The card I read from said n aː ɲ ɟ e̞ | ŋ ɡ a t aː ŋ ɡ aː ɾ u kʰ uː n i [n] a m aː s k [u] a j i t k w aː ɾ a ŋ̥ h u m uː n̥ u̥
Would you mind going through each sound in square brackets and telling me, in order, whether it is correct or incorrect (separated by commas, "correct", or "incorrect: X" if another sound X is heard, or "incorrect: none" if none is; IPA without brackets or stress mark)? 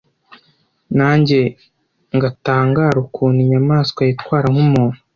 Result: incorrect: ɲ, incorrect: w